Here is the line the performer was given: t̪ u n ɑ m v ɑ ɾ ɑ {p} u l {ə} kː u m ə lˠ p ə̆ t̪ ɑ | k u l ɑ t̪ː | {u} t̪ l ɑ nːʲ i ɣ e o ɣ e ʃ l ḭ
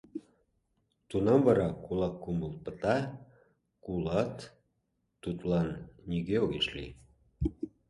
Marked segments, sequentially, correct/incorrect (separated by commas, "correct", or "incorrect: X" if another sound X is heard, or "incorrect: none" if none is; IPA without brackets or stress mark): incorrect: k, incorrect: ɑ, correct